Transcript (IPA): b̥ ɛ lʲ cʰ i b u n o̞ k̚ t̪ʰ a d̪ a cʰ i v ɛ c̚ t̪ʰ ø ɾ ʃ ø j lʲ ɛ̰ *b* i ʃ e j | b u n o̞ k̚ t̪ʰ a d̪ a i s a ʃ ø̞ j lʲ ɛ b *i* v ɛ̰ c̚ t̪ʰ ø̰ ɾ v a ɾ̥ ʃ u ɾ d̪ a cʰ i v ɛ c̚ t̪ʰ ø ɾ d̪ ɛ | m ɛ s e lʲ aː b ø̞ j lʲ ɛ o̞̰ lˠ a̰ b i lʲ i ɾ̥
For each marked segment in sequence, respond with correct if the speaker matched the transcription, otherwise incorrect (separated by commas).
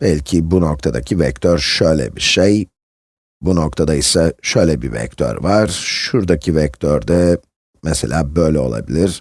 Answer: correct, correct